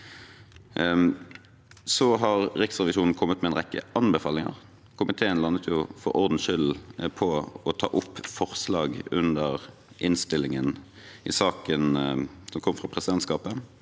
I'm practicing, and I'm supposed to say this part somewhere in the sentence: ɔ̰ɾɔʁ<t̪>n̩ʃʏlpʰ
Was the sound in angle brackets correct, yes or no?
no